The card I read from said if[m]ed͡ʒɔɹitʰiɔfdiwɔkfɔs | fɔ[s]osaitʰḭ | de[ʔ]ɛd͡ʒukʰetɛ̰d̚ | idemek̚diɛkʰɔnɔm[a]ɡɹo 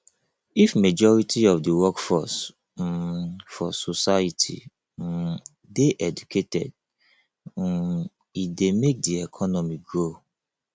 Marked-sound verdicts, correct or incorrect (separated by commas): correct, correct, correct, incorrect